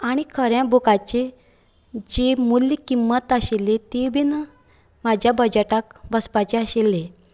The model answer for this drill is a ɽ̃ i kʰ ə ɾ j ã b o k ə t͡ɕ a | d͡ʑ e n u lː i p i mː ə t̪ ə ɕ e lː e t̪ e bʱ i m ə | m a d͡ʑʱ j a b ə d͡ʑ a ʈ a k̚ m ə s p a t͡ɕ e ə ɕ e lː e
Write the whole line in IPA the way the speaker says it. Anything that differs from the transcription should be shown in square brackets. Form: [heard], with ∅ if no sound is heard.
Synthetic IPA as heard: a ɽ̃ i kʰ ə ɾ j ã b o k [a] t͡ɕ [e] | d͡ʑ e [m] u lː i [k] i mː ə t̪ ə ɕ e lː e t̪ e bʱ i [n] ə | m a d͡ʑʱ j a b ə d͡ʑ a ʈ a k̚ [b] ə s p a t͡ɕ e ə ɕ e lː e